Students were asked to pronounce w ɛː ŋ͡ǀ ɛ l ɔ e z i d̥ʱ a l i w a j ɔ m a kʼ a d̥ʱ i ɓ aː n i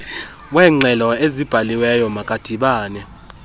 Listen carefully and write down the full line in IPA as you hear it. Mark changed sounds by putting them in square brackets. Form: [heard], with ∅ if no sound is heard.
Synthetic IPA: w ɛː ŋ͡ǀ ɛ l ɔ e z i [b̥ʱ] a l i w [ɛ] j ɔ m a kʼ a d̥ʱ i ɓ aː n [ɛ]